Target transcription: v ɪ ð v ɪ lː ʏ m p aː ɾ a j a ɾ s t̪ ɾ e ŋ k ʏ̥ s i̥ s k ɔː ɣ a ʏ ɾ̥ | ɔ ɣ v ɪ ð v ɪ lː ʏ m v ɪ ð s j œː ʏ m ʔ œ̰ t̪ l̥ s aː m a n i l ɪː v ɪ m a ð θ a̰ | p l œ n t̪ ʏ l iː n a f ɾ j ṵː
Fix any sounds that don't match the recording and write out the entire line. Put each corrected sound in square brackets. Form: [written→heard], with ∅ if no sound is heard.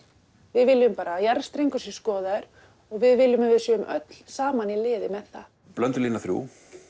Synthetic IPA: v ɪ ð v ɪ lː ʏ m p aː ɾ a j a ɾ s t̪ ɾ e ŋ k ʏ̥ s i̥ s k ɔː [ɣ→ð] a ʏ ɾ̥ | ɔ ɣ v ɪ ð v ɪ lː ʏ m v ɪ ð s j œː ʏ m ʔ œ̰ t̪ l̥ s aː m a n i l ɪː [v→ð] ɪ m [a→ɛ] ð θ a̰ | p l œ n t̪ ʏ l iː n a [f→θ] ɾ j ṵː